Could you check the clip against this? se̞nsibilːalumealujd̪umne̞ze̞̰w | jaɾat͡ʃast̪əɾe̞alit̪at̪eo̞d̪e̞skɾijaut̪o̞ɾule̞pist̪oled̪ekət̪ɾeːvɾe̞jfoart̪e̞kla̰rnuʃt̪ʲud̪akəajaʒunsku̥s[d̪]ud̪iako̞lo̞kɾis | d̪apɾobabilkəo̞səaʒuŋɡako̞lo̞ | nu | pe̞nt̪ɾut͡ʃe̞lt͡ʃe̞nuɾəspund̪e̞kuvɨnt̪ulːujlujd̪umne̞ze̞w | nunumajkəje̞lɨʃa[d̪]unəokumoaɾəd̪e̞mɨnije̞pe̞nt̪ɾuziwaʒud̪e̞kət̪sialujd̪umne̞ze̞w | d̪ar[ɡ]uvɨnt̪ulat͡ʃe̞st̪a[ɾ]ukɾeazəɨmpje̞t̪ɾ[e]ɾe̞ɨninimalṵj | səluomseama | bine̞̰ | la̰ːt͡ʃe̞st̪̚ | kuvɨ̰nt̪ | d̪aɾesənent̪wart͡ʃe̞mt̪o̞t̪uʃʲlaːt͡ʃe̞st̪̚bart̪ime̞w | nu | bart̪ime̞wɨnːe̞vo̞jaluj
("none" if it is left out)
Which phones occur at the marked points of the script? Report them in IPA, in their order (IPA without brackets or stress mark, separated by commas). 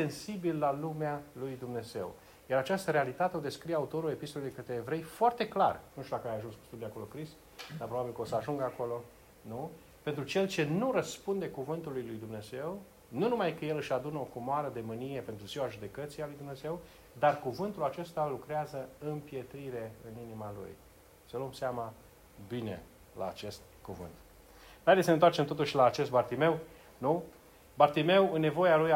t̪, d̪, k, l, i